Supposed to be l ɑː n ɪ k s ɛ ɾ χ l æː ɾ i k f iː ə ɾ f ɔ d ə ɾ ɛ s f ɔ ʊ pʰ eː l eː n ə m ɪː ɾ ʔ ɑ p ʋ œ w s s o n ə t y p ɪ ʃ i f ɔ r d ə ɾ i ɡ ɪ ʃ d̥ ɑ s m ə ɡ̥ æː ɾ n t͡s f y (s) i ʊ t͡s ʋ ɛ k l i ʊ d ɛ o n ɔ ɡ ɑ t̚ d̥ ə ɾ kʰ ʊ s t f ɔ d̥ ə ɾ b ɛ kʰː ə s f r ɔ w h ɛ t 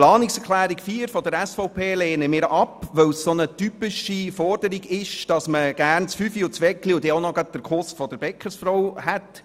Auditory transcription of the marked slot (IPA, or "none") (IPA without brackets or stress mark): f